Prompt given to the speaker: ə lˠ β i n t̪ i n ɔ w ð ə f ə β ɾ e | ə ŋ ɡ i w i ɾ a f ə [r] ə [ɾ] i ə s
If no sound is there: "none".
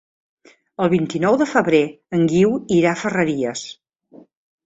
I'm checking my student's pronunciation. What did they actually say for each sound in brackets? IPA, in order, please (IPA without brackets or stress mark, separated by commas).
r, ɾ